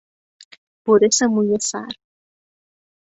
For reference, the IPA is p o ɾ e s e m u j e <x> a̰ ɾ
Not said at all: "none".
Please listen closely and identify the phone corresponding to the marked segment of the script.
s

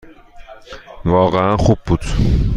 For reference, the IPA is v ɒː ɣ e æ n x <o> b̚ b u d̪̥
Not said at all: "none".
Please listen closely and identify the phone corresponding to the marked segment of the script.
u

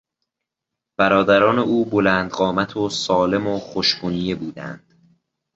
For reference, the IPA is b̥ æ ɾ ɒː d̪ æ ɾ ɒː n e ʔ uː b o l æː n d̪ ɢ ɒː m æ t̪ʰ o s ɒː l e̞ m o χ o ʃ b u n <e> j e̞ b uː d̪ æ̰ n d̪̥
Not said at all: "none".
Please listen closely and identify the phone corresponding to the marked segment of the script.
i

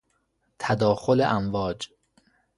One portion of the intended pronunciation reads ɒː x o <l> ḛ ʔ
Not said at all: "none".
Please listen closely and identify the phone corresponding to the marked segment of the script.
l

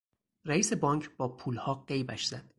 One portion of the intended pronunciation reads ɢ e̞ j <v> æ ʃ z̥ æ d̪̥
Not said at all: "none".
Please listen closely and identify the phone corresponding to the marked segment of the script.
b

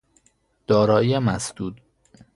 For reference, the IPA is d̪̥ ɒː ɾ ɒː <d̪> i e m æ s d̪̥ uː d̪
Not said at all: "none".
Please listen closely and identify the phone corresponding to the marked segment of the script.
none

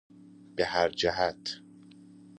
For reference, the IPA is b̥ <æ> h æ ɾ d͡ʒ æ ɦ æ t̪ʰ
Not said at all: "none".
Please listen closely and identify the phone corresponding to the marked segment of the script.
e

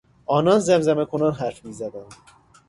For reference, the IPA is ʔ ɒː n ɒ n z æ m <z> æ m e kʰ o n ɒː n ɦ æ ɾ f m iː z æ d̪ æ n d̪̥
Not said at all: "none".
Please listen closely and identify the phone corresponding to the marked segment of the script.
z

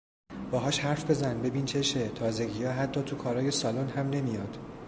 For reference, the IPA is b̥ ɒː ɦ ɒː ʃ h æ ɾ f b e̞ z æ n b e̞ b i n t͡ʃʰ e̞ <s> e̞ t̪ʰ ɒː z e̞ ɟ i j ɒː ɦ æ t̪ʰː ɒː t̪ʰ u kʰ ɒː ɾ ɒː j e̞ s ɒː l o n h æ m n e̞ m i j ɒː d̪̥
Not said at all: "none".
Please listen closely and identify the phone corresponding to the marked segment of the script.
ʃ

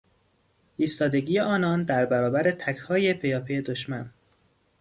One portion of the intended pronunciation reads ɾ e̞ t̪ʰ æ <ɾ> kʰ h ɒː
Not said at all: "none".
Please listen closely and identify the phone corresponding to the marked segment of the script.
none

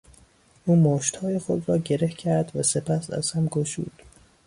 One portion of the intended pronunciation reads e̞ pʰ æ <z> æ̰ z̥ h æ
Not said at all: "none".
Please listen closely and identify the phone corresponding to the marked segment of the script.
s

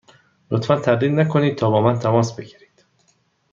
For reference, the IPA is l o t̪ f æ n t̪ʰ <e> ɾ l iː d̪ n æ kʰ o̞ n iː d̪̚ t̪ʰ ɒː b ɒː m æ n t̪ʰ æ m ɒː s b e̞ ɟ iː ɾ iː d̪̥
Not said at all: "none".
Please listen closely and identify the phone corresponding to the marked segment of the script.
æ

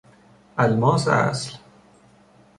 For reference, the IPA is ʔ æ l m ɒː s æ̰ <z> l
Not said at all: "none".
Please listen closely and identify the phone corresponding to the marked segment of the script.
s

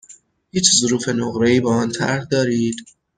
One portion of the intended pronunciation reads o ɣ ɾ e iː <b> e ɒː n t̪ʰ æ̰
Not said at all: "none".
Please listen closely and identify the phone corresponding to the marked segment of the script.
b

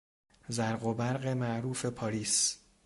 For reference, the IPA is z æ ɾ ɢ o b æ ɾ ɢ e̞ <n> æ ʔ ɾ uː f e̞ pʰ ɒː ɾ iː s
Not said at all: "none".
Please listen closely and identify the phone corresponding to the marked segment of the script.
m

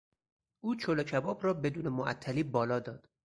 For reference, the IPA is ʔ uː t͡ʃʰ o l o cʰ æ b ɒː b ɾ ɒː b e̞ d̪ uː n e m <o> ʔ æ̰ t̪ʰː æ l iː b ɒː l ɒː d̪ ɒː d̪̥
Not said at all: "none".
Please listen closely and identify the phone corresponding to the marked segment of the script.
o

